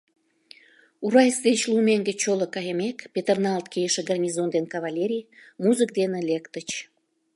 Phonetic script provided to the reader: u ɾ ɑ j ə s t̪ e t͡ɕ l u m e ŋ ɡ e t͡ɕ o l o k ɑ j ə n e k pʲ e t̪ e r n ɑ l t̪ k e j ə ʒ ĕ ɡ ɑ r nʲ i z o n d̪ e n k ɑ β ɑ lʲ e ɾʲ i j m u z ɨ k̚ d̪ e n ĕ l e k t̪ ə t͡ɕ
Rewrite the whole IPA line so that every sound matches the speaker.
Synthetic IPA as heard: u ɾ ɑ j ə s d̪ e t͡ɕ l u m e ŋ ɡ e t͡ɕ o l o k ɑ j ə m e k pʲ e t̪ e r n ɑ l t̪ k e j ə ʃ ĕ ɡ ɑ r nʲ i z o n d̪ e n k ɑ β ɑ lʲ e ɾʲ i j m u z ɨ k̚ d̪ e n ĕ l e k t̪ ə t͡ɕ